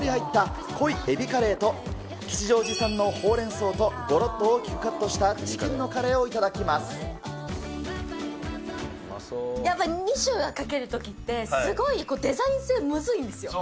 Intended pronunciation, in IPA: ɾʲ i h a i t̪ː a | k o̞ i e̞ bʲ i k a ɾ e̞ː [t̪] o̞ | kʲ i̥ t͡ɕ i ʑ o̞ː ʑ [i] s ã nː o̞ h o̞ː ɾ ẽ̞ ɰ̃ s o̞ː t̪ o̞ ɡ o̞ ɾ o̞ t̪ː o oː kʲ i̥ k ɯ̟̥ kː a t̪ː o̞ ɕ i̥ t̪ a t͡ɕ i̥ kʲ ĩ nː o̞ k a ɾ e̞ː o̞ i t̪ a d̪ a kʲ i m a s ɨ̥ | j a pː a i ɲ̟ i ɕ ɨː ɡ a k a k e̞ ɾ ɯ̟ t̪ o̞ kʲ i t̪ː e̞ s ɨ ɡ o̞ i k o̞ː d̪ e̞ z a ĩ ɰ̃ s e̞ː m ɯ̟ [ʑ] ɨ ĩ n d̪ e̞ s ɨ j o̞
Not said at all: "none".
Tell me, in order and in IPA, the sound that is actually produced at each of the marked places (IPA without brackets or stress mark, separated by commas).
t̪, i, z